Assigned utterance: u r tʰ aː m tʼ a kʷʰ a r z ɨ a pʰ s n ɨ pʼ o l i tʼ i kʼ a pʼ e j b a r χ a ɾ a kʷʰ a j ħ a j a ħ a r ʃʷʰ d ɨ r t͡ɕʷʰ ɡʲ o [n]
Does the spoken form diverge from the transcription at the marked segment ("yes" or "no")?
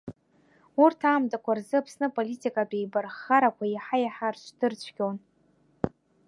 no